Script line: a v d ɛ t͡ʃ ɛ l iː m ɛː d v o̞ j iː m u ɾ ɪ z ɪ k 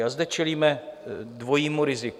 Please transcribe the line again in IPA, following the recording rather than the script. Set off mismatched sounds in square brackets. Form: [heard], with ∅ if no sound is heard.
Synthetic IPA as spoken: a [z] d ɛ t͡ʃ ɛ l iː m [ɛ] d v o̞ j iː m u ɾ ɪ z ɪ k

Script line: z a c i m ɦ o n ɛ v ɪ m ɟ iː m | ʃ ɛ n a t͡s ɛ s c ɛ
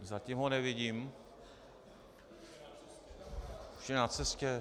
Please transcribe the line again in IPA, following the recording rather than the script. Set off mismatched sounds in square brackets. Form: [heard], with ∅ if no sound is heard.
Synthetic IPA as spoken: z a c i m ɦ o n ɛ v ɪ [∅] ɟ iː m | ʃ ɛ n a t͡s ɛ s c ɛ

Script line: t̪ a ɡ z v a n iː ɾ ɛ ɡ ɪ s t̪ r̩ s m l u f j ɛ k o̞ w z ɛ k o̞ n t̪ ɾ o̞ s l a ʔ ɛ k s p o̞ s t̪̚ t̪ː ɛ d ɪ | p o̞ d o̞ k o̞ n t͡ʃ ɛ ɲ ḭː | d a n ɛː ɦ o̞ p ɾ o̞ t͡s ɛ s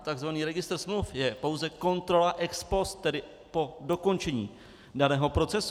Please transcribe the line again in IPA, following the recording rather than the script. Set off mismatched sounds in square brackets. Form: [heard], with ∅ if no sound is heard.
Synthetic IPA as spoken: t̪ a ɡ z v a n iː ɾ ɛ ɡ ɪ s t̪ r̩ s m l u f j ɛ [p] o̞ w z ɛ k o̞ n t̪ ɾ o̞ [∅] l a ʔ ɛ k s p o̞ s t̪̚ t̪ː ɛ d ɪ | p o̞ d o̞ k o̞ n t͡ʃ ɛ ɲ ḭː | d a n ɛː ɦ o̞ p ɾ o̞ t͡s ɛ s

